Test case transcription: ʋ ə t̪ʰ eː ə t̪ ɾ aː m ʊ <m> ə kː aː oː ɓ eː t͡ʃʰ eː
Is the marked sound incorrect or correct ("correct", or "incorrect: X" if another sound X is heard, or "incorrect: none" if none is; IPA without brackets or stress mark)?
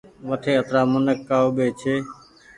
incorrect: n